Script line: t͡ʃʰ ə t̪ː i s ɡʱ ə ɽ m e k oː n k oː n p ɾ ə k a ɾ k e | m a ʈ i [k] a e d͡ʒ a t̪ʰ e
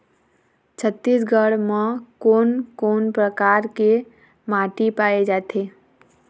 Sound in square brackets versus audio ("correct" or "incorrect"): incorrect